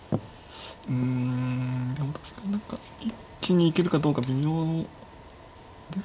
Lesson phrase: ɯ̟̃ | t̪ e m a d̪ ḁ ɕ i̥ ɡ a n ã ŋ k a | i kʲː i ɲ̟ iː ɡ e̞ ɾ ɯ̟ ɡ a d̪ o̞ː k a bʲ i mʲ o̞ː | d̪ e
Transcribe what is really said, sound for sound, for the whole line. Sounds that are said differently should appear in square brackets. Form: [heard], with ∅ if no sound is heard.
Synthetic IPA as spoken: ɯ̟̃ | [d̪] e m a [t̪] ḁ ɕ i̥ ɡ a n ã ŋ k a | i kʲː i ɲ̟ iː [k] e̞ ɾ ɯ̟ [k] a d̪ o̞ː k a bʲ i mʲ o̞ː | d̪ e

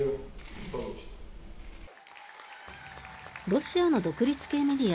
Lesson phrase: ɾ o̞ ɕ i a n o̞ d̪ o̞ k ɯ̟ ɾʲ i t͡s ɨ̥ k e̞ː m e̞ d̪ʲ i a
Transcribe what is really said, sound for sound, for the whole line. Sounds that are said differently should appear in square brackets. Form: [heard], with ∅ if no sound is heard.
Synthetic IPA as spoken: ɾ o̞ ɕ i a n o̞ d̪ o̞ k ɯ̟ ɾʲ i t͡s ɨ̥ k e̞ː m e̞ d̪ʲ i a

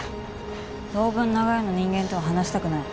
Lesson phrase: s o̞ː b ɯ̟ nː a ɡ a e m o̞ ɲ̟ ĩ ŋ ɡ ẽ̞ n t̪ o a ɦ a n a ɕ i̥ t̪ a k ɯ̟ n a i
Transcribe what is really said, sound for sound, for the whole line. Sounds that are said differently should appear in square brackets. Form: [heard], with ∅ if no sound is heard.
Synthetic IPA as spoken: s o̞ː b [ɯ̟̃] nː a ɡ a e [n] o̞ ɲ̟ ĩ ŋ ɡ ẽ̞ n t̪ o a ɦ a n a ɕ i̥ t̪ a k ɯ̟ n a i

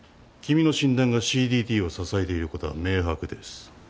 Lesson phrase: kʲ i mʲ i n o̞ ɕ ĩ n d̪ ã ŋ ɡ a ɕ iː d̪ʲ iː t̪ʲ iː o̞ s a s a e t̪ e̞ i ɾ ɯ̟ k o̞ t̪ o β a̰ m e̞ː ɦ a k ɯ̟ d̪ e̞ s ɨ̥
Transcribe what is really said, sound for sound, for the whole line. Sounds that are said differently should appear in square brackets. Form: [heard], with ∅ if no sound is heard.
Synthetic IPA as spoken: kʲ i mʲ i n o̞ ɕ ĩ n d̪ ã ŋ ɡ a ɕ iː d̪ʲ iː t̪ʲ iː o̞ s a s a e t̪ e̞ i ɾ ɯ̟ k o̞ t̪ o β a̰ m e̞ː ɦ a k ɯ̟ d̪ e̞ s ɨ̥

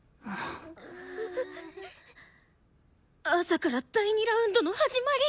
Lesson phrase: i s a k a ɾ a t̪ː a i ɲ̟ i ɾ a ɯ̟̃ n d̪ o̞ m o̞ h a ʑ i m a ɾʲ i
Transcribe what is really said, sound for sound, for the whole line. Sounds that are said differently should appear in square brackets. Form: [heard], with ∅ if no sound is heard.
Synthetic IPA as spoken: [a] s a k a ɾ a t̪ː a i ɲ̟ i ɾ a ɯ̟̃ n d̪ o̞ [n] o̞ h a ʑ i m a ɾʲ i

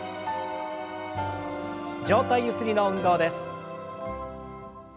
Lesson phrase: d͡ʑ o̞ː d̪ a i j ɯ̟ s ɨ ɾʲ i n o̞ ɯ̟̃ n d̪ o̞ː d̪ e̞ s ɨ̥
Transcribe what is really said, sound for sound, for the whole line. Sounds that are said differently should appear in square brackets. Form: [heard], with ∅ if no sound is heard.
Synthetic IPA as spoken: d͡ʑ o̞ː [t̪] a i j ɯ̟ s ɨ ɾʲ i n o̞ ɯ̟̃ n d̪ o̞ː d̪ e̞ s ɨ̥

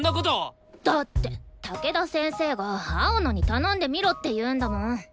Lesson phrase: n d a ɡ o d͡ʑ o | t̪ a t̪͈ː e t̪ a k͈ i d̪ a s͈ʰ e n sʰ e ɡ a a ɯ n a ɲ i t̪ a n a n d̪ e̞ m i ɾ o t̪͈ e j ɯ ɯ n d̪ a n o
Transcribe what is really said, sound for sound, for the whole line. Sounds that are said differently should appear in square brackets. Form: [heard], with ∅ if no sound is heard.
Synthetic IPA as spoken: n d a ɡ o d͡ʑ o | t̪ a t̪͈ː e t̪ a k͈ [e] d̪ a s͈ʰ e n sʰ e ɡ a a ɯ n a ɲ i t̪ a n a n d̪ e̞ m i ɾ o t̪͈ e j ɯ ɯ n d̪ a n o

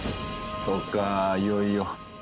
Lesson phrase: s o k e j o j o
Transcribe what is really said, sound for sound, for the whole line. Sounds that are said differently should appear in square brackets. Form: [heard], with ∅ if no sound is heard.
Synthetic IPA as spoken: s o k [a] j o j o

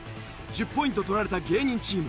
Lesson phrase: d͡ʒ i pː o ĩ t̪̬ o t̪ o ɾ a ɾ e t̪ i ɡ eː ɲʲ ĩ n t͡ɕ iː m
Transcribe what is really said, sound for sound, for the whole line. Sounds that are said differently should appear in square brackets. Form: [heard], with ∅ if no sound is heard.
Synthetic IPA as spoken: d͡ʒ i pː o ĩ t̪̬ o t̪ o ɾ a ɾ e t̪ [a] ɡ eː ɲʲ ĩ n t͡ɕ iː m

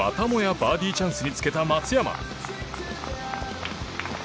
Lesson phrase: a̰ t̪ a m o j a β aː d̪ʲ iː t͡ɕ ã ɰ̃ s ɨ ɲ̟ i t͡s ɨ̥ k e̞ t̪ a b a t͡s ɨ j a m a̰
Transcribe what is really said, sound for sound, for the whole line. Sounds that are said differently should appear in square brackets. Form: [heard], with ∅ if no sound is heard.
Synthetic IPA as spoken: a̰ t̪ a m o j a [b] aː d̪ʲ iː t͡ɕ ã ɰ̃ s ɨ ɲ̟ i t͡s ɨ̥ k e̞ t̪ a [m] a t͡s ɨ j a m a̰

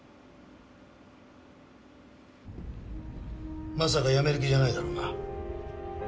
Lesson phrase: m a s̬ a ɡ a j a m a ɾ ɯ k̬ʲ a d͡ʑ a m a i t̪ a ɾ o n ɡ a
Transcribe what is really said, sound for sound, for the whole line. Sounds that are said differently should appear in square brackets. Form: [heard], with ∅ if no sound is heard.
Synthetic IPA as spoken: m a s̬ a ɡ a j a m [e] ɾ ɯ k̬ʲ [i] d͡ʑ a [n] a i [d̪] a ɾ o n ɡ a

